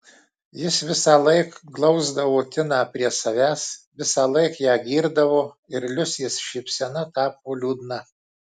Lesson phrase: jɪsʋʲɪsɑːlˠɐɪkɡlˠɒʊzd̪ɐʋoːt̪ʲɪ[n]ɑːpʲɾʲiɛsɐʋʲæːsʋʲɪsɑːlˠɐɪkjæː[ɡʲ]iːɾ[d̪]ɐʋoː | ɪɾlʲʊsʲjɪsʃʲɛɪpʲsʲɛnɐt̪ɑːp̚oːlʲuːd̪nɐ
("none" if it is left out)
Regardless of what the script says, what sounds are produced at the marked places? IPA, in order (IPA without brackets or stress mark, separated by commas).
n, ɡʲ, d̪